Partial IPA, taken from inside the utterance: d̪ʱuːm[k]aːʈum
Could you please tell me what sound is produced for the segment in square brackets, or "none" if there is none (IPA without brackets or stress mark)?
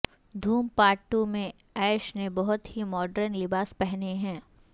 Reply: p